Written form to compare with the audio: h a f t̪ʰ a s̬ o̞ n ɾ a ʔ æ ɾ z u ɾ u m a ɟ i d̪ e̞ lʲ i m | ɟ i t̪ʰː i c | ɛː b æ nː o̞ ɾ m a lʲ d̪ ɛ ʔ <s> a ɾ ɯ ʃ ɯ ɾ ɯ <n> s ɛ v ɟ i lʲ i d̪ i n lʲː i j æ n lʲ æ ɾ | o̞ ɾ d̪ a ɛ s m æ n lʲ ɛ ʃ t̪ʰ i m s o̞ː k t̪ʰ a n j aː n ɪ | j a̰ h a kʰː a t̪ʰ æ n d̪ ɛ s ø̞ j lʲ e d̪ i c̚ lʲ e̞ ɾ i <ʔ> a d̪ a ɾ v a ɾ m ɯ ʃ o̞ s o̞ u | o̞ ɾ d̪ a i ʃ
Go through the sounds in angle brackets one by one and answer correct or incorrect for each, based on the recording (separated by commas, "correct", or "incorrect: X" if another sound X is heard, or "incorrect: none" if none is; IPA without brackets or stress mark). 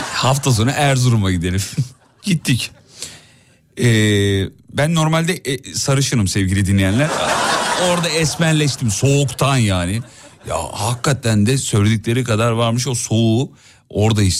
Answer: correct, incorrect: m, incorrect: k